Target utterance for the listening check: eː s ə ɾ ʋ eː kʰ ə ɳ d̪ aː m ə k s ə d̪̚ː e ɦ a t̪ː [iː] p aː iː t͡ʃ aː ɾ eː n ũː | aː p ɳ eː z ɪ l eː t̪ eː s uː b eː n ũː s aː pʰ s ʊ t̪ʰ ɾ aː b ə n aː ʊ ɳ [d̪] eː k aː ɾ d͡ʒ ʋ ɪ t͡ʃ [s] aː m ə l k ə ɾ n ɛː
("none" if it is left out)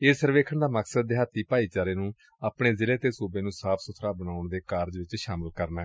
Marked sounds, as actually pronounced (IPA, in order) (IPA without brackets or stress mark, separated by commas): iː, d̪, ʃ